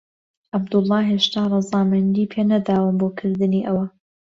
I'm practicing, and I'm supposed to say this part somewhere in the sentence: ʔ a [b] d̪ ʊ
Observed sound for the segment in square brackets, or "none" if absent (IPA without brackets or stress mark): b